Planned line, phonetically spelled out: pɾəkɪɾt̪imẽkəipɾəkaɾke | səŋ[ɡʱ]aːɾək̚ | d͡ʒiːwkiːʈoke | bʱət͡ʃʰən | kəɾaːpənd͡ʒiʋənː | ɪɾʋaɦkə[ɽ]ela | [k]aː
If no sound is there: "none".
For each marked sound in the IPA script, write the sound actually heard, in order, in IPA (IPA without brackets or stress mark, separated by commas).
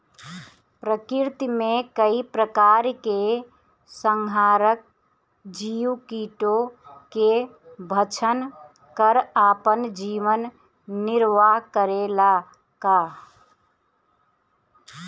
ɡʱ, ɾ, k